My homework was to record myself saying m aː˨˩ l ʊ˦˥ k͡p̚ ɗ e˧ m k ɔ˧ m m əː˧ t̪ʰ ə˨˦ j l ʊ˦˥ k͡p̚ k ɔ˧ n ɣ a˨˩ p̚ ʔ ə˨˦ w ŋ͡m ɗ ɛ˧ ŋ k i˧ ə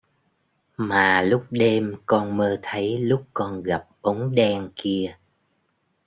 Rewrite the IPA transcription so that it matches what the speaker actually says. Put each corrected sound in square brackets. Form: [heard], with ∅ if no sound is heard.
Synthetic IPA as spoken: m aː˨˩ l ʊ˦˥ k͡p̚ ɗ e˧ m k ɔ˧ [n] m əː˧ t̪ʰ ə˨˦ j l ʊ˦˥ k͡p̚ k ɔ˧ n ɣ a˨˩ p̚ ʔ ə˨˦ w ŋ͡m ɗ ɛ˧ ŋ k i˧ ə